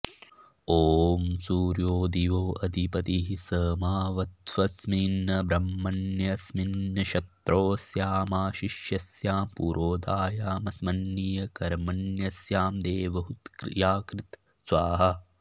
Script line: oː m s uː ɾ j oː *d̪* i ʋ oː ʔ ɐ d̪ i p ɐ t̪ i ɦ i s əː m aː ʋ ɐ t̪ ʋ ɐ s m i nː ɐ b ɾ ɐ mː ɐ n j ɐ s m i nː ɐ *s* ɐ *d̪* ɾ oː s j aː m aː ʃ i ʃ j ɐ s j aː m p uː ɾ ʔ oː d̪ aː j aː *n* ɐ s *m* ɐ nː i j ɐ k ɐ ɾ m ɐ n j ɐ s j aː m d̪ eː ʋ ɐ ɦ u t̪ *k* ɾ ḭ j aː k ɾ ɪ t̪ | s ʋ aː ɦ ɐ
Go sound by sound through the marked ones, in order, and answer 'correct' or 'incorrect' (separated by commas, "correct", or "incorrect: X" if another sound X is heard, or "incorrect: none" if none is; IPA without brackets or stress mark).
correct, incorrect: ʃ, incorrect: t̪, incorrect: m, correct, correct